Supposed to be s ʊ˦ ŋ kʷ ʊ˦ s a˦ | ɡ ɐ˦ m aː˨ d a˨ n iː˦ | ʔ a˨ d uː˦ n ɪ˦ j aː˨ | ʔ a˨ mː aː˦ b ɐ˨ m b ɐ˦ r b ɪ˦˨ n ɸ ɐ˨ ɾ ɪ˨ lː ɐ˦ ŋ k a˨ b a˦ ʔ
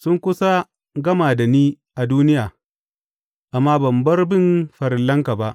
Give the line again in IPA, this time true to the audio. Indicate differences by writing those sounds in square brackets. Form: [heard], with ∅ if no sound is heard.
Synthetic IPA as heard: s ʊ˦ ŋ kʷ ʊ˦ s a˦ | ɡ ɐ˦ m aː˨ d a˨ n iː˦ | ʔ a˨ d uː˦ n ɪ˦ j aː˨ | ʔ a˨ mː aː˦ b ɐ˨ m b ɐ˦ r b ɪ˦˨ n ɸ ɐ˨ ɾ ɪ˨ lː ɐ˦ ŋ k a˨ b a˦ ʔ

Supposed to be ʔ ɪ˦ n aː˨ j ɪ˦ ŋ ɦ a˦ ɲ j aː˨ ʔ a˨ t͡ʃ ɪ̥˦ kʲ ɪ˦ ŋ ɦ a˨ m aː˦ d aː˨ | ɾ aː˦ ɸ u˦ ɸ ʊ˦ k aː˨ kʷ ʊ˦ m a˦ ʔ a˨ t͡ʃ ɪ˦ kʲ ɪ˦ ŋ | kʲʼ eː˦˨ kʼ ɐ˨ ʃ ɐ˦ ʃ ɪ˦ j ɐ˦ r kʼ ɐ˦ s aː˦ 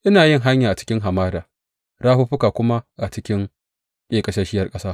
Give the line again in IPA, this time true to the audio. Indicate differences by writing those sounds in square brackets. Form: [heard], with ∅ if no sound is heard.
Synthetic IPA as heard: ʔ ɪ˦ n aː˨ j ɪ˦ ŋ ɦ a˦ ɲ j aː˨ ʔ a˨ t͡ʃ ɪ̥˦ kʲ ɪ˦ ŋ ɦ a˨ m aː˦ d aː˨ | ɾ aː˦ ɸ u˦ ɸ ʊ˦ k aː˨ kʷ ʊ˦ m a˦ ʔ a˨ t͡ʃ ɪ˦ kʲ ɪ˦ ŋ | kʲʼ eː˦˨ kʼ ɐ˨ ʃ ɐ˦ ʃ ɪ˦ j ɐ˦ r kʼ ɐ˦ s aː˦

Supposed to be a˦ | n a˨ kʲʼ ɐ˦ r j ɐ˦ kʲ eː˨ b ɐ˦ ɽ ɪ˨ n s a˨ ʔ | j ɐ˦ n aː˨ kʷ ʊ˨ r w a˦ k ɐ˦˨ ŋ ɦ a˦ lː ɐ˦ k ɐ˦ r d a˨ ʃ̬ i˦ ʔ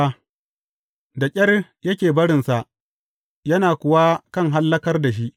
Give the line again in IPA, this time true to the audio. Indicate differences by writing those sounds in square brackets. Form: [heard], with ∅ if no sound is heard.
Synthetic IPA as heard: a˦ | [d] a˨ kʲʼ ɐ˦ r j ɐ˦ kʲ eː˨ b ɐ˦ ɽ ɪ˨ n s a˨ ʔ | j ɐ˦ n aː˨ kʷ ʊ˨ [∅] w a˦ k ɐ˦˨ ŋ ɦ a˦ lː ɐ˦ k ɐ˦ r d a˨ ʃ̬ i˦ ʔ

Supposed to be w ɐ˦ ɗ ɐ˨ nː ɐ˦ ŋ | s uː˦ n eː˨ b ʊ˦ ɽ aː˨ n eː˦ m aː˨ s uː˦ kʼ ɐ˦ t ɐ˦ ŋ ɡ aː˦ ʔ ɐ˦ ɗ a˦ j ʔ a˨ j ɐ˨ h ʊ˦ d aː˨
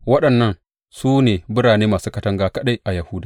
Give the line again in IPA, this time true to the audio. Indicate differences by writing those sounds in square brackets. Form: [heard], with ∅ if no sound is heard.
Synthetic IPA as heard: w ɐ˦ ɗ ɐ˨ nː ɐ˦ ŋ | s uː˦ n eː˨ b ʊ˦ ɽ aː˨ n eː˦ m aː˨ s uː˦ [k] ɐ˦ t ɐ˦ ŋ ɡ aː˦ [k] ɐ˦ ɗ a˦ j ʔ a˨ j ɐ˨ h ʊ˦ d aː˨

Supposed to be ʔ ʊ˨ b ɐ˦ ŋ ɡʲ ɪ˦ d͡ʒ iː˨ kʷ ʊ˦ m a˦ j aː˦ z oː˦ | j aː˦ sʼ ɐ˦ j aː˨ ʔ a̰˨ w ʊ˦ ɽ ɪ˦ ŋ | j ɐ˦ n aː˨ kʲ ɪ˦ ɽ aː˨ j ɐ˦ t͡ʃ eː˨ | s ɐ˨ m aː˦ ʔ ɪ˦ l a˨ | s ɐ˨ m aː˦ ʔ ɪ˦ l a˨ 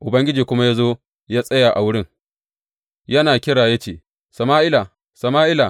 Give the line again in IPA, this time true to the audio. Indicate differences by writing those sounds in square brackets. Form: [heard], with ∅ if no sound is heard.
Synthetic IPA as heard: ʔ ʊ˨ b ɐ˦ ŋ ɡʲ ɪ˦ d͡ʒ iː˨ kʷ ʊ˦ m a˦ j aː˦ z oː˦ | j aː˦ sʼ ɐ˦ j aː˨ ʔ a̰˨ w ʊ˦ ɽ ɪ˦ ŋ | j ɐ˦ n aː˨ kʲ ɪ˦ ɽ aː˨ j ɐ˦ t͡ʃ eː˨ | s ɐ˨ m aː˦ ʔ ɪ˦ l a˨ | s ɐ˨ m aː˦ ʔ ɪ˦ l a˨

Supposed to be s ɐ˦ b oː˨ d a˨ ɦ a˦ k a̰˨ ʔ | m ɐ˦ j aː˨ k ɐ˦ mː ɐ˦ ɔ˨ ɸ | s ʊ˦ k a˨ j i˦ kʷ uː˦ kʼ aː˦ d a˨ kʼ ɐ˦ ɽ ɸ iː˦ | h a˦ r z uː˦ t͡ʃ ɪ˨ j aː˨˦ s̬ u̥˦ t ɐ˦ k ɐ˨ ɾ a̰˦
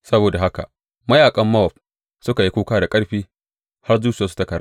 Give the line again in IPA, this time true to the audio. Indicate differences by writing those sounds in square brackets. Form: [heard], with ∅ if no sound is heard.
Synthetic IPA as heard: s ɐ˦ b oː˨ d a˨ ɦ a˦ k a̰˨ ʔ | m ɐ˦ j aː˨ [kʼ] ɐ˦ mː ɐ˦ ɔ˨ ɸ | s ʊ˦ k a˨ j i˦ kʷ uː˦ [k] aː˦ d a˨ kʼ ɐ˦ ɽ ɸ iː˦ | h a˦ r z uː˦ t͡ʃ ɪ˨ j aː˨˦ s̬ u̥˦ t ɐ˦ k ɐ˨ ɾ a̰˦

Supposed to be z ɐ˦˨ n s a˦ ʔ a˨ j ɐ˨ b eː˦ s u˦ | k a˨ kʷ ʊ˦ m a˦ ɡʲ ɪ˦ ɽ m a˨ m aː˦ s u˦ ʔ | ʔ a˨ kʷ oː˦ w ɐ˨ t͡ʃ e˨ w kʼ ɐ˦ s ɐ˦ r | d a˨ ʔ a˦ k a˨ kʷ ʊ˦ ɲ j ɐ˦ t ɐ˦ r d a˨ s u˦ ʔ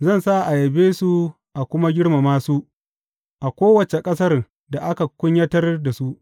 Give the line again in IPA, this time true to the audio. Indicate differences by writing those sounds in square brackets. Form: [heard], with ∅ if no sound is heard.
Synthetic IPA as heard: z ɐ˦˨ n s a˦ ʔ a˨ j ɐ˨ b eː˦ s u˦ | [ʔ] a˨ kʷ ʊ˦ m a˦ ɡʲ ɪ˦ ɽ m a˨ m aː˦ s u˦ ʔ | ʔ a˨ kʷ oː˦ w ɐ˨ t͡ʃ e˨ [∅] kʼ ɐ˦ s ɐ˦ r | d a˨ ʔ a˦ k a˨ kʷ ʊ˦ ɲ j ɐ˦ t ɐ˦ r d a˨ s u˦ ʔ

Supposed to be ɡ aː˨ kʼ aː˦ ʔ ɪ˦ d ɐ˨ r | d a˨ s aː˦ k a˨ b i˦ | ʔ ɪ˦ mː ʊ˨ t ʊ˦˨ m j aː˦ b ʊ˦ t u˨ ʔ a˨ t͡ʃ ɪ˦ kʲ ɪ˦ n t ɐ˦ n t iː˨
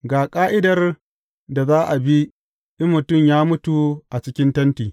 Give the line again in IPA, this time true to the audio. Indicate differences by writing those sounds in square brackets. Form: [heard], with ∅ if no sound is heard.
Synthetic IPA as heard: ɡ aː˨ kʼ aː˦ ʔ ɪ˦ d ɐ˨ r | d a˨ [z] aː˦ [ʔ] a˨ b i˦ | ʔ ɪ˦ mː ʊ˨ t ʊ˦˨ m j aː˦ [m] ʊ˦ t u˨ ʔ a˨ t͡ʃ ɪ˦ kʲ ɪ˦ n t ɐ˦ n t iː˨

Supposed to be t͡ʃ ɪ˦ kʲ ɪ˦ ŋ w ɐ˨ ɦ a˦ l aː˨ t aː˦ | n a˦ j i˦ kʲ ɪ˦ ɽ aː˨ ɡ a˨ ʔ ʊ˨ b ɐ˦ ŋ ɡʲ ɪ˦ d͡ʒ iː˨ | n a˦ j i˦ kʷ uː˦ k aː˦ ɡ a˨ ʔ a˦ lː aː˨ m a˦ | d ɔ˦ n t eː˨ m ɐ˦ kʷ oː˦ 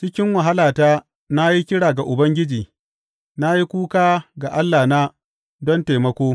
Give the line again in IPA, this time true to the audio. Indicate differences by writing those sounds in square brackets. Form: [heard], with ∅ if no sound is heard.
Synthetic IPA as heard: t͡ʃ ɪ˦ kʲ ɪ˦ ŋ w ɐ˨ ɦ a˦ l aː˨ t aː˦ | n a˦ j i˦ kʲ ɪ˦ ɽ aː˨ ɡ a˨ ʔ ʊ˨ b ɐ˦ ŋ ɡʲ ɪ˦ d͡ʒ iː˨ | n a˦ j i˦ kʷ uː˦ k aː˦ ɡ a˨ ʔ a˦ lː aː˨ [n] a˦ | d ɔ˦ n t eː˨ m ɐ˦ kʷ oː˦

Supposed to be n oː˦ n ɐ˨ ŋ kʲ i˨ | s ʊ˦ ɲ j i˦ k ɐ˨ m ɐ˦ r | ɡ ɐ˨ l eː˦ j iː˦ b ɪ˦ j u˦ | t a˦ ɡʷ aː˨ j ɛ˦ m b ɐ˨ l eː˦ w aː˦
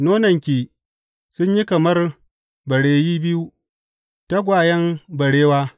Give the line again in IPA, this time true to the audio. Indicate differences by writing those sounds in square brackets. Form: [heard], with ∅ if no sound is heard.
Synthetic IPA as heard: n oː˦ n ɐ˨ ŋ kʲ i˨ | s ʊ˦ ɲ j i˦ k ɐ˨ m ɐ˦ r | [b] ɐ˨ [ɽ] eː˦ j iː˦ b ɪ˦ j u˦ | t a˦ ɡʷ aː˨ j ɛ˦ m b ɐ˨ [ɽ] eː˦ w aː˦

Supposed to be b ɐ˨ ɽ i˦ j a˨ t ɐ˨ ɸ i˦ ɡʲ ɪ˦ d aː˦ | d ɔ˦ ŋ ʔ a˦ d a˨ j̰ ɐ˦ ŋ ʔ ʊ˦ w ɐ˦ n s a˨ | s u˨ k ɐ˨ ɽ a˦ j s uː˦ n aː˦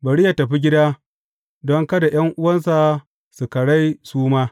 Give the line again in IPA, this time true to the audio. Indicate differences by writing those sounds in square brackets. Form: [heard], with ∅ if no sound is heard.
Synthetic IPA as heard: b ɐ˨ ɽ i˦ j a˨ t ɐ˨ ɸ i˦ ɡʲ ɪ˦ d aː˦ | d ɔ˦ ŋ [k] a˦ d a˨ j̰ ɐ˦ ŋ ʔ ʊ˦ w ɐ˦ n s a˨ | s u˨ k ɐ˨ ɽ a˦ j s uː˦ [m] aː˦

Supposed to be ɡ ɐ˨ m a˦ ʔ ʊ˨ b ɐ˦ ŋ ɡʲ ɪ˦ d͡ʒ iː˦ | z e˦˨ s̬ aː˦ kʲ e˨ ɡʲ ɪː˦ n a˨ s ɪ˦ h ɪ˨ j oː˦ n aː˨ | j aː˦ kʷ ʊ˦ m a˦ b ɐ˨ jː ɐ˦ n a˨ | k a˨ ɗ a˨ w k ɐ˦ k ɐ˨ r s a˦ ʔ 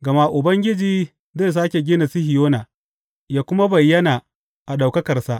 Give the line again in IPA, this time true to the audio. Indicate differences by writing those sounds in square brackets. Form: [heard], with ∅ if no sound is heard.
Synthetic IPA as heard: ɡ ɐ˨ m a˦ ʔ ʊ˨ b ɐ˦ ŋ ɡʲ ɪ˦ d͡ʒ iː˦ | z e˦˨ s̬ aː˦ kʲ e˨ ɡʲ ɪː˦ n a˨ s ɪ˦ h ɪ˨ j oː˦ n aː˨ | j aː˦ kʷ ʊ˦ m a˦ b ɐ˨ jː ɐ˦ n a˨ | [ʔ] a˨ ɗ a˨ w k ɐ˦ k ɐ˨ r s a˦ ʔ

